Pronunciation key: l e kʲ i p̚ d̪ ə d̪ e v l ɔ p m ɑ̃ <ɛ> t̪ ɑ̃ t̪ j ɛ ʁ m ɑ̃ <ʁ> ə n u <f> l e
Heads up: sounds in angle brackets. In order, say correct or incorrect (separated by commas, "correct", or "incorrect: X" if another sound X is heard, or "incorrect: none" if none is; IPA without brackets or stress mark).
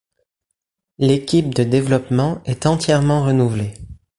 correct, correct, incorrect: v